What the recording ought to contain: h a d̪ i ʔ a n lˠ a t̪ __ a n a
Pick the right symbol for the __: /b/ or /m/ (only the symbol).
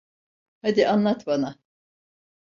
b